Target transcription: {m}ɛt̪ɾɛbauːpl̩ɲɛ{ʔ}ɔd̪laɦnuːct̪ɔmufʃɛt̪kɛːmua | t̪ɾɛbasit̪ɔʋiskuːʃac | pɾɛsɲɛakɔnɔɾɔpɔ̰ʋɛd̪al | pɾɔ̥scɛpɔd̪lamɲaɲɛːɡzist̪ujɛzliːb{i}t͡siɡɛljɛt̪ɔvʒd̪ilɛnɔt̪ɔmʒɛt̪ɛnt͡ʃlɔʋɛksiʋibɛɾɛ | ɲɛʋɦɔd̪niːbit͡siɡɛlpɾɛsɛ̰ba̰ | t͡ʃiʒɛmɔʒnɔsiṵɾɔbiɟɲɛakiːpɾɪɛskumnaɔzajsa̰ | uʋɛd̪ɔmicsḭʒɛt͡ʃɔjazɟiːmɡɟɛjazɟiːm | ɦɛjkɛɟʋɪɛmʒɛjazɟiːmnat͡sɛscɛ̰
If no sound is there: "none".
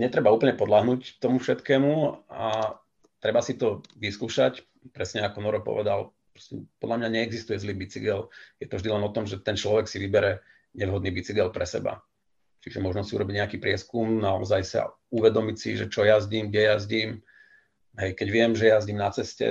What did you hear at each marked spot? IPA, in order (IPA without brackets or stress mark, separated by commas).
ɲ, p, i